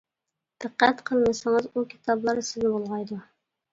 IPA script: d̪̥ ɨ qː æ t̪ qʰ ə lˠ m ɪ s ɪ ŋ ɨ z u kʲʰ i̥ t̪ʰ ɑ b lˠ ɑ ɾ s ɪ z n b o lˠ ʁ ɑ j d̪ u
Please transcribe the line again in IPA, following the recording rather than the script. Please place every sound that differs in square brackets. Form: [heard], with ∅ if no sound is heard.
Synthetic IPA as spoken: d̪̥ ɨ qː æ t̪ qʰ ə lˠ m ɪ s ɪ ŋ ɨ z u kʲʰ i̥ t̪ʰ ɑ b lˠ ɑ ɾ s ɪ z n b o lˠ ʁ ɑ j d̪ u